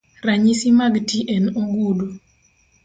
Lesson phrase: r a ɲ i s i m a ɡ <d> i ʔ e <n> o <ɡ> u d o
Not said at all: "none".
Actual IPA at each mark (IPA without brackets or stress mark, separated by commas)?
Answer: t, n, ɡ